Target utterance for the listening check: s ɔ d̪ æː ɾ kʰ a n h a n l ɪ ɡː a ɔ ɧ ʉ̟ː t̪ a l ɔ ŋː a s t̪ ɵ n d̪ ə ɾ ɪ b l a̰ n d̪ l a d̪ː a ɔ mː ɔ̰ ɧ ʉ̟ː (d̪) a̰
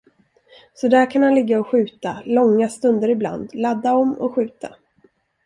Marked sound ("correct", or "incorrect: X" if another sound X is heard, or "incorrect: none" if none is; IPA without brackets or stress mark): incorrect: t̪